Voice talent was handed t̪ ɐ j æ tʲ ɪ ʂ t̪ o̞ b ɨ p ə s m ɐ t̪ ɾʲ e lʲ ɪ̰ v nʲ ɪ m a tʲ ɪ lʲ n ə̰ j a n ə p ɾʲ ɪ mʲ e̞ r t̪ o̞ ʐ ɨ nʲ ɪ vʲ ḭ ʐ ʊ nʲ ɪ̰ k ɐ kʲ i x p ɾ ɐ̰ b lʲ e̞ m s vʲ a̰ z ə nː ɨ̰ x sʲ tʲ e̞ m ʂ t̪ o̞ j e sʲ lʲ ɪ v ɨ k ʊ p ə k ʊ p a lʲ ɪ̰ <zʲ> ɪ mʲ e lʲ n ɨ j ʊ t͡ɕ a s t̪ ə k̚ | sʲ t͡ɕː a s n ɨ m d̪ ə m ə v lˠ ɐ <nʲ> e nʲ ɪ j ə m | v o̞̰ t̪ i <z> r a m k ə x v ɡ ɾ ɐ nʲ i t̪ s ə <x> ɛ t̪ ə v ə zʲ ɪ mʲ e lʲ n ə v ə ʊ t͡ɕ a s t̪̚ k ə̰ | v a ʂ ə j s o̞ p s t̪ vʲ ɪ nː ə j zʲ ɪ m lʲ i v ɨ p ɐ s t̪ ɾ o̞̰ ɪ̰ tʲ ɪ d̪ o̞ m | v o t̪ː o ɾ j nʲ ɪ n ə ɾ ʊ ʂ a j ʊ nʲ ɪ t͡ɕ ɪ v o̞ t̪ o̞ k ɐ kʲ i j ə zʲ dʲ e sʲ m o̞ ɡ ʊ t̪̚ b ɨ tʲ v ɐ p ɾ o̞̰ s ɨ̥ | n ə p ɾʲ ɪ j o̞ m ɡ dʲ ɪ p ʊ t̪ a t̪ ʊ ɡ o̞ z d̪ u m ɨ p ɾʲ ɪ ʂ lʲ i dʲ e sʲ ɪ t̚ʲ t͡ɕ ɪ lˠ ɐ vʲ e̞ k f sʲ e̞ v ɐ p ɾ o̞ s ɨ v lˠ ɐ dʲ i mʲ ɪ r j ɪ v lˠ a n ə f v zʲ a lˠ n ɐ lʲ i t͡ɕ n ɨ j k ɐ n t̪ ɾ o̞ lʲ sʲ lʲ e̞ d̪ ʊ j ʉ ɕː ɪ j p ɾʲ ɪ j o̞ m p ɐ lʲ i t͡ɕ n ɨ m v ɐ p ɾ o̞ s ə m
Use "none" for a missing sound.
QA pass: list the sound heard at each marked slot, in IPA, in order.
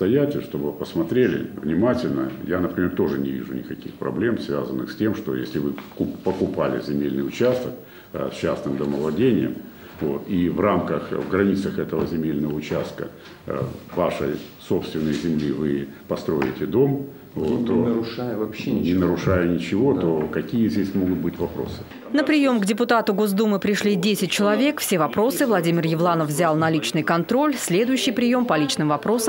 zʲ, dʲ, v, x

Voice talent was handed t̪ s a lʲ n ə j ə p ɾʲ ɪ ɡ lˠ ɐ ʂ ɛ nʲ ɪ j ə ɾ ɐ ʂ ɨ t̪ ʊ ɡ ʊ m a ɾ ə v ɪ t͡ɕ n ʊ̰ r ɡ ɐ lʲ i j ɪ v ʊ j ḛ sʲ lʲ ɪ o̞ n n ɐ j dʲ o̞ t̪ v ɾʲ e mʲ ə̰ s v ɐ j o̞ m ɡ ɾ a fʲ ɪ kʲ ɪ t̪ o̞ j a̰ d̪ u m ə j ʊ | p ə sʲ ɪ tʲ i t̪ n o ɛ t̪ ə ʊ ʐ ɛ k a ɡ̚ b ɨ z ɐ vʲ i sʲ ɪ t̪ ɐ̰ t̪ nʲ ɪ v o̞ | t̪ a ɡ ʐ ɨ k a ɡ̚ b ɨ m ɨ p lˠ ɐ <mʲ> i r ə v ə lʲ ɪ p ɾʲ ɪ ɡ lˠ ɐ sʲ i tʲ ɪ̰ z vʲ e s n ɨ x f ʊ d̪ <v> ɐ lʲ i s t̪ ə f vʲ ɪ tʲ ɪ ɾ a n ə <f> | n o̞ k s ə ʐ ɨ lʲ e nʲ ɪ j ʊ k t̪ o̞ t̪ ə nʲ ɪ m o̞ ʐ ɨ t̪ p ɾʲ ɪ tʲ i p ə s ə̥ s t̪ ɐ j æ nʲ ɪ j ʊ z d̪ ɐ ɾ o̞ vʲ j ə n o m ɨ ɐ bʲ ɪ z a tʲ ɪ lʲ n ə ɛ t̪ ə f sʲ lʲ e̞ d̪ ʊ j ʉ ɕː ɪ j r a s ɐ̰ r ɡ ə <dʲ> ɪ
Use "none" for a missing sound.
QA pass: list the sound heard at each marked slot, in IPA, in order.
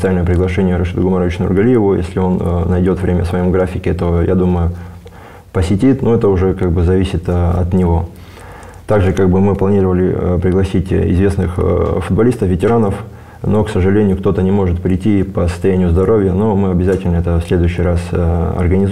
nʲ, b, f, nʲ

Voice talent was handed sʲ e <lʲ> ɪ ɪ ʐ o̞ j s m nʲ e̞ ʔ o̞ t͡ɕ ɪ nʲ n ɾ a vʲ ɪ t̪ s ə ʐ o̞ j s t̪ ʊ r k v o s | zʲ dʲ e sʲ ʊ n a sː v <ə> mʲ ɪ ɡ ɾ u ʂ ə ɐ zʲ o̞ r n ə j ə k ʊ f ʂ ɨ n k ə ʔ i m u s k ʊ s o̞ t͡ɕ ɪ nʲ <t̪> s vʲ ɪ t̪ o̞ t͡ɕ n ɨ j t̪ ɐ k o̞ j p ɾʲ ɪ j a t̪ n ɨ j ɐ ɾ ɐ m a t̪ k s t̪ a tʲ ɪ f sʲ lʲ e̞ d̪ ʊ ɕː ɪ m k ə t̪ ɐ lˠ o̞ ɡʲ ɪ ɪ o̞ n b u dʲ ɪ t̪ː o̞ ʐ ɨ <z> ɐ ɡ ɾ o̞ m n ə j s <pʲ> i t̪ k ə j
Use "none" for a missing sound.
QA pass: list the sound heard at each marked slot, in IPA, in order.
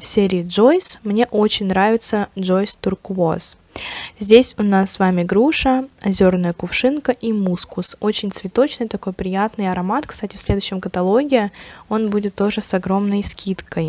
ɾʲ, a, t̪, s, kʲ

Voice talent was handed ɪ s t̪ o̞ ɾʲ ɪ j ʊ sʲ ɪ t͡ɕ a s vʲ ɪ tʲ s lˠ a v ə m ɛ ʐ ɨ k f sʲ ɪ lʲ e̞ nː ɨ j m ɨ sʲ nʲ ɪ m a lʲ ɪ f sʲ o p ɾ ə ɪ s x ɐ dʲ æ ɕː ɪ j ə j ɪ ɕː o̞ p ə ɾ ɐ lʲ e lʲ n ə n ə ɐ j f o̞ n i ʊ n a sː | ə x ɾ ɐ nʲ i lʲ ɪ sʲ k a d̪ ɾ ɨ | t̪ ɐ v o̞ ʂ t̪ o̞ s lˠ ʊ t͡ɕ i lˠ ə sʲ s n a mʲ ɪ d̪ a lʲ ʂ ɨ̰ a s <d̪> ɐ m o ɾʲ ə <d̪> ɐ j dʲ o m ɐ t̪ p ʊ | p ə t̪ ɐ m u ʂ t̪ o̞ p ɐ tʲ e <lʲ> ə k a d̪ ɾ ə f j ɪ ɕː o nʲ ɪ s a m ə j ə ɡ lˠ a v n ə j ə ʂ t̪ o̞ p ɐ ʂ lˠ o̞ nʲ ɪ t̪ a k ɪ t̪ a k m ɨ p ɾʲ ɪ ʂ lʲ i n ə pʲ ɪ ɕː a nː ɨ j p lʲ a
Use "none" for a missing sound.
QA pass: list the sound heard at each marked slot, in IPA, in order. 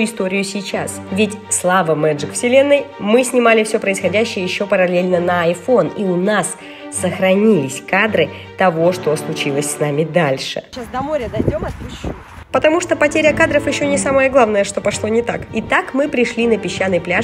d̪, d̪, ɾʲ

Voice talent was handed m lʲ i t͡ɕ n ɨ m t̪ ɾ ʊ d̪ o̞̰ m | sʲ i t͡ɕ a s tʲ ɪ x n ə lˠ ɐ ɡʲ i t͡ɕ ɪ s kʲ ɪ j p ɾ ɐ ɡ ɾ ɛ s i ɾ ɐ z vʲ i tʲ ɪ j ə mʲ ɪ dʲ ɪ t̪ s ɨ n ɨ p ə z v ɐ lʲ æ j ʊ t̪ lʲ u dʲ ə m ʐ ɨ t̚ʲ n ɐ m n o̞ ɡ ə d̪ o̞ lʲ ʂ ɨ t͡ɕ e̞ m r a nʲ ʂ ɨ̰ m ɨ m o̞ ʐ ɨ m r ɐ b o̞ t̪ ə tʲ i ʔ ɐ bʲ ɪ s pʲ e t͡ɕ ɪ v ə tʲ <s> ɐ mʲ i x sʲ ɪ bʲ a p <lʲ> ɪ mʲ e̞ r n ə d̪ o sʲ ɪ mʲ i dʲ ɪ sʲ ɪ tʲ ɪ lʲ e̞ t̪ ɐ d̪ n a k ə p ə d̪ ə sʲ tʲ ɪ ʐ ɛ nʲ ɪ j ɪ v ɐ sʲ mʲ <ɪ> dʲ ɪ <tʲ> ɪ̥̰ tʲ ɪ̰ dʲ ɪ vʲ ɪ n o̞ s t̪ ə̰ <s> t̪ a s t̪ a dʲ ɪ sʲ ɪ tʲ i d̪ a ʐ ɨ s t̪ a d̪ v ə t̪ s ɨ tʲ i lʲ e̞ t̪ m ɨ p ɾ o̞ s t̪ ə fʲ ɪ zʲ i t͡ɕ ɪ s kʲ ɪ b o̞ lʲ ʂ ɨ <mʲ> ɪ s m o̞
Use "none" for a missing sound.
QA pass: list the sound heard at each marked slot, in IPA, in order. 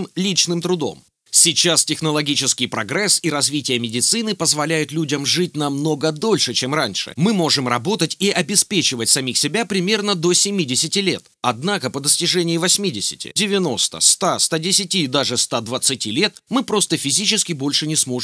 s, ɾʲ, i, sʲ, s, nʲ

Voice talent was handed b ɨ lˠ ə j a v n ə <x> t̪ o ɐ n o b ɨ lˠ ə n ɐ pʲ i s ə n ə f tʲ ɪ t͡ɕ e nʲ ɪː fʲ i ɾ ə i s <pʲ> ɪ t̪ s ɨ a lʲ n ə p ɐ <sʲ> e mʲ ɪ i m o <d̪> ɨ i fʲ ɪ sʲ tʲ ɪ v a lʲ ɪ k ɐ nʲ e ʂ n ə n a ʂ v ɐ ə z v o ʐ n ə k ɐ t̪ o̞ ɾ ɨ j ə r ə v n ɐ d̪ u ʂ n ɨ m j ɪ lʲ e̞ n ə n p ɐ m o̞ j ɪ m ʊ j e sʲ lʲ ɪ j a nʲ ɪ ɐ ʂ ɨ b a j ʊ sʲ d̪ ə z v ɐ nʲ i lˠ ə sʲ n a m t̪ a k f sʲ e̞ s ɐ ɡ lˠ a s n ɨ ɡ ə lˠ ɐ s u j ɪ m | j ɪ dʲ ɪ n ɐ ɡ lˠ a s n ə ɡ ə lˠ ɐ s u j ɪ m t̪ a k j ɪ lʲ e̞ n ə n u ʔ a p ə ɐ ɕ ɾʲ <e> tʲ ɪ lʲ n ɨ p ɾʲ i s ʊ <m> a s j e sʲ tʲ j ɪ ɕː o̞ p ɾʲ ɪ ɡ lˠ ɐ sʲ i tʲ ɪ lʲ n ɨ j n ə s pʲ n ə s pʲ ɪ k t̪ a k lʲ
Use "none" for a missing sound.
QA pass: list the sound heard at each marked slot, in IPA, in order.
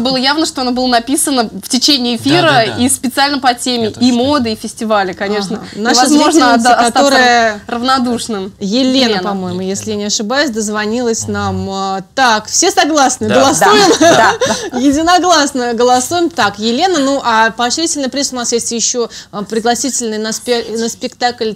ʂ, pʲ, tʲ, d̪, i, n

